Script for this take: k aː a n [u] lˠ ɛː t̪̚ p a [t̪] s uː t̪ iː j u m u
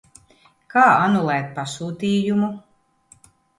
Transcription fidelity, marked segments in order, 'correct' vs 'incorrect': correct, incorrect

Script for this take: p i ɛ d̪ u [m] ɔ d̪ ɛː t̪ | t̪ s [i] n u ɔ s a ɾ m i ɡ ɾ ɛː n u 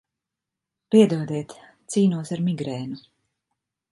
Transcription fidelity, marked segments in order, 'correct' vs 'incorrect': incorrect, incorrect

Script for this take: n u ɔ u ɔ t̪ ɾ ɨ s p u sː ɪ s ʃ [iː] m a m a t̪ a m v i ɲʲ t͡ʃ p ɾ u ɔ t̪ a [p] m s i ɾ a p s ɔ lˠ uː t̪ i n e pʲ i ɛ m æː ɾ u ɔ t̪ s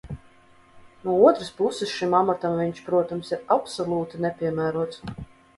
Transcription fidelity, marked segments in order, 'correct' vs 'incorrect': incorrect, incorrect

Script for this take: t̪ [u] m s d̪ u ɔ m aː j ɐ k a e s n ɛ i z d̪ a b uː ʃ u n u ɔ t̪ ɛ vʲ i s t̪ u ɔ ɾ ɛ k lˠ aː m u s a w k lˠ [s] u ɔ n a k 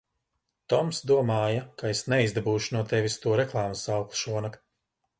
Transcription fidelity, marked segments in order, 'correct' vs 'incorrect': incorrect, incorrect

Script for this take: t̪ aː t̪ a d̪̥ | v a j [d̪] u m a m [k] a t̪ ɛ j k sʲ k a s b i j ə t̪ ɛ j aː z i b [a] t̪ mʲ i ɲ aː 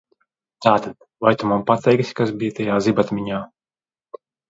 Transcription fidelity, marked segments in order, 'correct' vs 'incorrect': incorrect, incorrect, correct

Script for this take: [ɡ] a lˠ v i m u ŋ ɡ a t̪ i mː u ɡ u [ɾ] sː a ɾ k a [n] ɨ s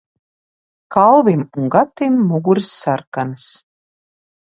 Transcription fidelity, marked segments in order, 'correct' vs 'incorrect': incorrect, correct, correct

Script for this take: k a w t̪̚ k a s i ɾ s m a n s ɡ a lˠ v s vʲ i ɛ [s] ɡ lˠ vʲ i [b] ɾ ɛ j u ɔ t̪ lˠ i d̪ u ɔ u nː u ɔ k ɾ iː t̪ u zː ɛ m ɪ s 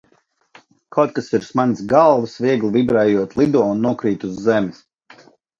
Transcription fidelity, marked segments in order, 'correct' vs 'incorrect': incorrect, correct

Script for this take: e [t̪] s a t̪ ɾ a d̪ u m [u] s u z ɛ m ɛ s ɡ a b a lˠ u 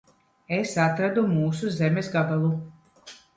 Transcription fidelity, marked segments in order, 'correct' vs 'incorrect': incorrect, incorrect

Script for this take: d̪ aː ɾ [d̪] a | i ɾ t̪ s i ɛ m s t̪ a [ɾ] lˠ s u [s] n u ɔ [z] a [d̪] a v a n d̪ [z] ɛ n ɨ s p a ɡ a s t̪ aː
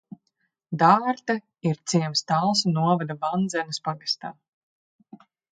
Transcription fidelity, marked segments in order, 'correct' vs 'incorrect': incorrect, incorrect, incorrect, incorrect, correct, correct

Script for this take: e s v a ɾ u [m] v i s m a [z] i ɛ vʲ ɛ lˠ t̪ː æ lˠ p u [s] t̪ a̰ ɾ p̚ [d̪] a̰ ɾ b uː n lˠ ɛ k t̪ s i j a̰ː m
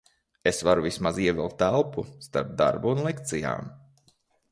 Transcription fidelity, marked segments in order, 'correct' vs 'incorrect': incorrect, correct, correct, correct

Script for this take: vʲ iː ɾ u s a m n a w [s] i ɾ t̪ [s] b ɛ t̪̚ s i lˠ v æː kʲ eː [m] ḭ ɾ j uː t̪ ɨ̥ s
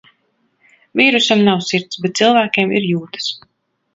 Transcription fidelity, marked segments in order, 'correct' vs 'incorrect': correct, correct, correct

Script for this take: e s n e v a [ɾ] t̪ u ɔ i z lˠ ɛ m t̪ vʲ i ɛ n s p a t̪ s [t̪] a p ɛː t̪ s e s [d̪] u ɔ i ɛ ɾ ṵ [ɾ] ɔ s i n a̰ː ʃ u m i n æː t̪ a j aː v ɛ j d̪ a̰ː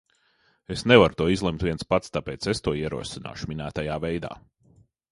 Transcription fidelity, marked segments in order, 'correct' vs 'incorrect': correct, correct, incorrect, incorrect

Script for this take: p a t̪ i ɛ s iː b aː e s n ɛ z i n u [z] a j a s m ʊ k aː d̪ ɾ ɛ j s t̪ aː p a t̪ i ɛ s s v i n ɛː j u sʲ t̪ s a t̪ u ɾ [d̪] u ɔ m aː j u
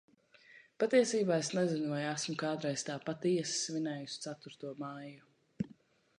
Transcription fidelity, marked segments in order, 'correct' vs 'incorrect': incorrect, incorrect

